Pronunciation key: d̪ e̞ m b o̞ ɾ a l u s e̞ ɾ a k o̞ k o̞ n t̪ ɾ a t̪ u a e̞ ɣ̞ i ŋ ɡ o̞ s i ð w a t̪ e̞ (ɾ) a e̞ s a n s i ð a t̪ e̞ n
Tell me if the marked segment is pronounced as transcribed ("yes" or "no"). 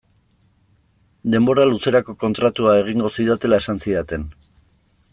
no